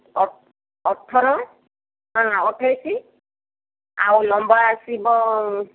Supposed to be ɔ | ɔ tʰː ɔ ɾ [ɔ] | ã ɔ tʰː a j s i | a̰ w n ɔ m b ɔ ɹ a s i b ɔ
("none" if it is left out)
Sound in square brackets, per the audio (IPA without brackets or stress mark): ɔ